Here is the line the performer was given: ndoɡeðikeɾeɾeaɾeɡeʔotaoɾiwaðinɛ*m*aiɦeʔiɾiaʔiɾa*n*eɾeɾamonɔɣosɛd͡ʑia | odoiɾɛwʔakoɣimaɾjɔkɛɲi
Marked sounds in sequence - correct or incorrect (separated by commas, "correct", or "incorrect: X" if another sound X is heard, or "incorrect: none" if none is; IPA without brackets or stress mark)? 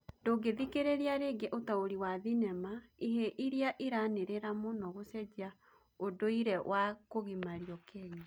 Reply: correct, correct